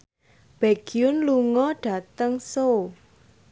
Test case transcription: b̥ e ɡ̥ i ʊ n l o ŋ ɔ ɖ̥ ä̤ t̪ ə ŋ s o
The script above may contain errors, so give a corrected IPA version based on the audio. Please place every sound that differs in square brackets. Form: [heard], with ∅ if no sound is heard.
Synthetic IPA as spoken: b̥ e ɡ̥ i ʊ n l [u] ŋ ɔ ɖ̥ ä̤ t̪ ə ŋ s o